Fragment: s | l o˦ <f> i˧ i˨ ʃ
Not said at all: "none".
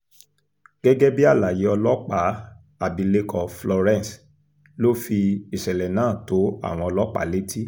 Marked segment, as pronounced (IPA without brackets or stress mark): f